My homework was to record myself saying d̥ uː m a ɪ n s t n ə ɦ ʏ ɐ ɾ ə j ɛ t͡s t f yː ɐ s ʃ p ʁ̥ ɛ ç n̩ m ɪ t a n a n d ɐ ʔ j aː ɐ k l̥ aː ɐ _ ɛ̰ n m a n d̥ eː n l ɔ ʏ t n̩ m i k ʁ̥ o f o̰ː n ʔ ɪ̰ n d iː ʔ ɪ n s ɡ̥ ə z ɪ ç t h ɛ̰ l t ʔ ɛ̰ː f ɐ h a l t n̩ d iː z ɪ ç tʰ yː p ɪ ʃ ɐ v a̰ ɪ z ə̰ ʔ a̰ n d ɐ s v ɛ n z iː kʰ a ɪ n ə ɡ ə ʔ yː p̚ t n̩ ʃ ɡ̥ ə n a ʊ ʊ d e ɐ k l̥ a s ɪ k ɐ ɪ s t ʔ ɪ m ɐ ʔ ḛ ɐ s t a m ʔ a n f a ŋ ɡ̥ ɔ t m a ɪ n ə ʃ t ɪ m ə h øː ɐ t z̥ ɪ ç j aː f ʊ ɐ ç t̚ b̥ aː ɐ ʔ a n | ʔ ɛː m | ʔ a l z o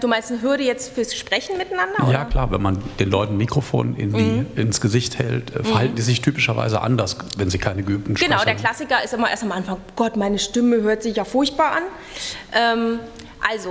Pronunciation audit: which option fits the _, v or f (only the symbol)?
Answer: v